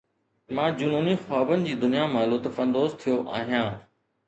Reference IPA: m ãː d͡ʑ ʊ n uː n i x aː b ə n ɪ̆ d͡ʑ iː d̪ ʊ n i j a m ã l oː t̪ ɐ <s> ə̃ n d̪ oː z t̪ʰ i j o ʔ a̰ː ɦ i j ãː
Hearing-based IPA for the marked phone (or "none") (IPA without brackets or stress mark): f